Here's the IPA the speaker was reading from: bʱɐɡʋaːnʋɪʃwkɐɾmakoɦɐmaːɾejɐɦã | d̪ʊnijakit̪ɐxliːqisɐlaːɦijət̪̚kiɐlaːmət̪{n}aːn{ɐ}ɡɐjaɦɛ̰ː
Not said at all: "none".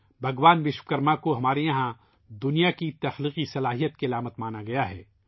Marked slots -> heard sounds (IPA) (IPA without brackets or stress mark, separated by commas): m, a